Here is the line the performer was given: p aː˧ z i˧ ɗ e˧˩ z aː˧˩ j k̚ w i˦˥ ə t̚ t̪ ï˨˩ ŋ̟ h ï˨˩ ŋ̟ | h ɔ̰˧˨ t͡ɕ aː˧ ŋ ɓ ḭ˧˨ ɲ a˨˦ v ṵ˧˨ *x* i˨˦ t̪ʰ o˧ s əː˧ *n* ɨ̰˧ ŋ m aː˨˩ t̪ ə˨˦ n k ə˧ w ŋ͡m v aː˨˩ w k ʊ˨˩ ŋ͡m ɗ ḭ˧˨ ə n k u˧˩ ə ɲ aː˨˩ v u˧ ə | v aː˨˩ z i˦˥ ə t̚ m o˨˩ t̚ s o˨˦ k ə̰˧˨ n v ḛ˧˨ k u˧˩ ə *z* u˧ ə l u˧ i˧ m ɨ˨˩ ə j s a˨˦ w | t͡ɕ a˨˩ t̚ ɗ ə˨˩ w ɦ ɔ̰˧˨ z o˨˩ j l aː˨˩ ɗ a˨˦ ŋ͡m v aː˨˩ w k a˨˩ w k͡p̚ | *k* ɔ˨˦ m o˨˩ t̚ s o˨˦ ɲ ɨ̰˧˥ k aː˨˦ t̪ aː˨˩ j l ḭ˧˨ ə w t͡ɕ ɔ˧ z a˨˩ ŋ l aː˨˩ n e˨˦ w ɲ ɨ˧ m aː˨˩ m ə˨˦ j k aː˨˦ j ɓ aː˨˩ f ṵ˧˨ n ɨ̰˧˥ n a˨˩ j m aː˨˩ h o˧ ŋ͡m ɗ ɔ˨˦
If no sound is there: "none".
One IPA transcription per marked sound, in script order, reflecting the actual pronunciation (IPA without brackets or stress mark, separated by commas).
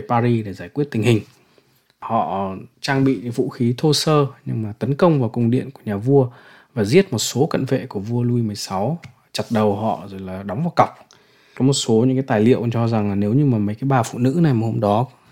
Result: x, ɲ, v, k